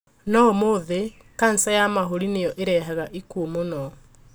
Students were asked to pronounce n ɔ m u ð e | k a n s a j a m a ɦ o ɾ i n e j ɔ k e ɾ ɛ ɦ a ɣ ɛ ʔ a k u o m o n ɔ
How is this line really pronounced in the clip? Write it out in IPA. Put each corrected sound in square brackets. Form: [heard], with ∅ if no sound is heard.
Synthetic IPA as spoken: n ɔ m [o] ð e | k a n s a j a m a ɦ o ɾ i n e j ɔ [ʔ] e ɾ ɛ ɦ a ɣ [a] ʔ [i] k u o m o n ɔ